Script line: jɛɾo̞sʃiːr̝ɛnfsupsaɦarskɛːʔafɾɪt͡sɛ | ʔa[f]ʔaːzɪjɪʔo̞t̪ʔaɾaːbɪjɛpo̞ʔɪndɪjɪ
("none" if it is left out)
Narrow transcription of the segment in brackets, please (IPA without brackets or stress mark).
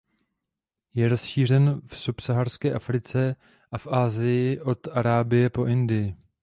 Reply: f